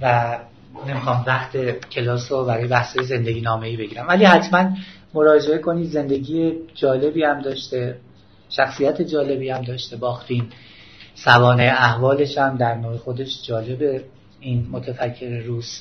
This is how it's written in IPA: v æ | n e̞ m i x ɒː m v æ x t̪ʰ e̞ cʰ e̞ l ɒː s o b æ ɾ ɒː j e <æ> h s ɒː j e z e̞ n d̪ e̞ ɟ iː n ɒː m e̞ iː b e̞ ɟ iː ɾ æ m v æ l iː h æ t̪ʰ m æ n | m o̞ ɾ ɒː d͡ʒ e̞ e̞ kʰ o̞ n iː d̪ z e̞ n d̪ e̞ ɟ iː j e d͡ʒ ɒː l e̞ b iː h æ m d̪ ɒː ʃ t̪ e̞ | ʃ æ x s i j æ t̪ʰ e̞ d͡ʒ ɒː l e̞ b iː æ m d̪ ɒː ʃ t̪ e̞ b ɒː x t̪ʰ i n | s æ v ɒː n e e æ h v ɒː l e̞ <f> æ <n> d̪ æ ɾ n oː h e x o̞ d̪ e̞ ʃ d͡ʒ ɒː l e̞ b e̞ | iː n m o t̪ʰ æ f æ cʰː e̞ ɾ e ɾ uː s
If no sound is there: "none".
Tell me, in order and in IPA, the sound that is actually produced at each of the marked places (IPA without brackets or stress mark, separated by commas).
æ, ʃ, m